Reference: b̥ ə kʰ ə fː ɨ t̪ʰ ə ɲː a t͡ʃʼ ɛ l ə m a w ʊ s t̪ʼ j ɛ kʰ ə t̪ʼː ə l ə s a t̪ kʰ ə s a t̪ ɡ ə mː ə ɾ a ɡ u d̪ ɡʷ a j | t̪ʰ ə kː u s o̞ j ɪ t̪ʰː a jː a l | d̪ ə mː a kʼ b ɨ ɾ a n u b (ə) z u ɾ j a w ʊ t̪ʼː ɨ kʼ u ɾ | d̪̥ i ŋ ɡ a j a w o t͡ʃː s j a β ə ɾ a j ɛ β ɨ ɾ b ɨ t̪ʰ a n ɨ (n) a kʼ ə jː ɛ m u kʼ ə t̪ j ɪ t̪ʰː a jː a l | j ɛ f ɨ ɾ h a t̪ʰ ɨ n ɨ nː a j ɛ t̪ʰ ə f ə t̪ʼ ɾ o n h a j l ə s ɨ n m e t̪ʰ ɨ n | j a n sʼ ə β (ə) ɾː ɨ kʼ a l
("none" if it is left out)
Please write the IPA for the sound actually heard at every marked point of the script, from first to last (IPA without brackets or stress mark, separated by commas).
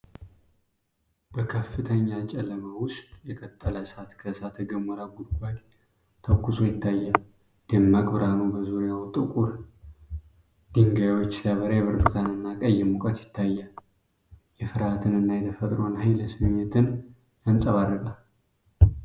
ə, nː, a